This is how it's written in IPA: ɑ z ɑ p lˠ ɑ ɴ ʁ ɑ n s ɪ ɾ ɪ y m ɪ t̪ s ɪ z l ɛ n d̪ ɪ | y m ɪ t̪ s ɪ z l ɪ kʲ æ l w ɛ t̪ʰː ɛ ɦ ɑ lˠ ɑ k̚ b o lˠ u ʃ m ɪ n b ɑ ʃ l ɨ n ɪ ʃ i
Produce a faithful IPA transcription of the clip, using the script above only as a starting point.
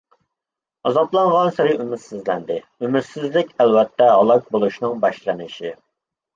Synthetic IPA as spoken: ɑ z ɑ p lˠ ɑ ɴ ʁ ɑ n s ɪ ɾ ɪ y m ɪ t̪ s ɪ z l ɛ n d̪ ɪ | y m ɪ t̪ s ɪ z l ɪ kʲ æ l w ɛ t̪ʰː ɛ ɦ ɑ lˠ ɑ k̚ b o lˠ u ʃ n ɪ ŋ b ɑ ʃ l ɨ n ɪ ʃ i